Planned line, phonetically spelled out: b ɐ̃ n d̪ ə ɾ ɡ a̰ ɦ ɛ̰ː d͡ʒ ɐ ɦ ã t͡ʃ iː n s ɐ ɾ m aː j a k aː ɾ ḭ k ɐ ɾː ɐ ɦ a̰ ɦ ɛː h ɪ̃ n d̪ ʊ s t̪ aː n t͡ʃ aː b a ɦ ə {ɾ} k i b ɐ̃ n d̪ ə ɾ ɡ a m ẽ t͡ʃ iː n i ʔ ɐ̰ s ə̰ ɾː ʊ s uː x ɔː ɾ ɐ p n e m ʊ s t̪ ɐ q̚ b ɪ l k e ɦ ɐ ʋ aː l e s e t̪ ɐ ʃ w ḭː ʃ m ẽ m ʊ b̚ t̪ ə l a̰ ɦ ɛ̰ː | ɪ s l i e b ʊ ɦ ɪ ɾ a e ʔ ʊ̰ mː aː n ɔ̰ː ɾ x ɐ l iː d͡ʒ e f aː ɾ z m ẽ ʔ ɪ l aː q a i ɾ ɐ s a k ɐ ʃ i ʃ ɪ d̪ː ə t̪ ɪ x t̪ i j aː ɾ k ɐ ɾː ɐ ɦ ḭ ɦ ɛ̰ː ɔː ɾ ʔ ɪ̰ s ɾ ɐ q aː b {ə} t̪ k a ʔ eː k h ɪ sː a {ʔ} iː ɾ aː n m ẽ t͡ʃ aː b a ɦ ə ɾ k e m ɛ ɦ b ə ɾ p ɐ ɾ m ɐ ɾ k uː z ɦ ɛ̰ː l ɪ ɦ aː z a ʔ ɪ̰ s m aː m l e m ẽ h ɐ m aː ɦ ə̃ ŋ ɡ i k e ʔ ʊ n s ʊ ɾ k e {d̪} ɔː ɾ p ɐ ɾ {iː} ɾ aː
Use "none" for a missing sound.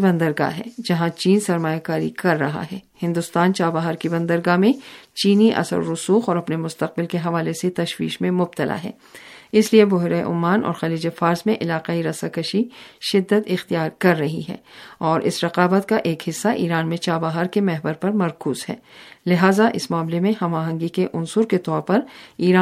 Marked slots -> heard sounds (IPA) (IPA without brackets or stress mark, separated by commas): ɾ, ə, ʔ, t̪, iː